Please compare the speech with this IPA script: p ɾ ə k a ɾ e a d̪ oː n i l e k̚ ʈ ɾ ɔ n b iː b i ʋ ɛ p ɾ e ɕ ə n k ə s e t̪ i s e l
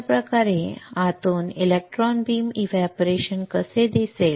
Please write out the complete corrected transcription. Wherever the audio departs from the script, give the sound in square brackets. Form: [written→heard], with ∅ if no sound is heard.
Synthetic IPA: p ɾ ə k a ɾ e a [d̪→t̪] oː n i l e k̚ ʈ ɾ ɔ n b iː [b→m] i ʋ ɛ p ɾ e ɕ ə n k ə s e [t̪→d̪] i s e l